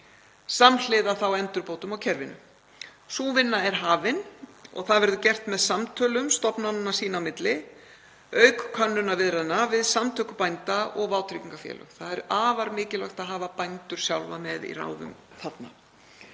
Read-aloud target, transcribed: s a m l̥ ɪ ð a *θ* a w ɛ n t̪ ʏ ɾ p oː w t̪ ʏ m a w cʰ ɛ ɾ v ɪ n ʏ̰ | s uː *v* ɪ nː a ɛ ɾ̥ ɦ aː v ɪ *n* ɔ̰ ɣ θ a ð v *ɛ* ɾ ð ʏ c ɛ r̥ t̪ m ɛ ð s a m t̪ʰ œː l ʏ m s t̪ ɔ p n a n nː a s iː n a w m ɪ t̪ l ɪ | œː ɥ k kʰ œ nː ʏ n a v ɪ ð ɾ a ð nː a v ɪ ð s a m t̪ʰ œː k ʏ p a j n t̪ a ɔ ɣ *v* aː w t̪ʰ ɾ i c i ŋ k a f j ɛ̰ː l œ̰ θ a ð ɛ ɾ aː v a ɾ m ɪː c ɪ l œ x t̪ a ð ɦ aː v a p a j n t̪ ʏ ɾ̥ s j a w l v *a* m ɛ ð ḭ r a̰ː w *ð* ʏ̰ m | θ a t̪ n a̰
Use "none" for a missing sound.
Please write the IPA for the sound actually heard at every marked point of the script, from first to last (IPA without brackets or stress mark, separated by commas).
θ, v, n, ɛ, v, a, ð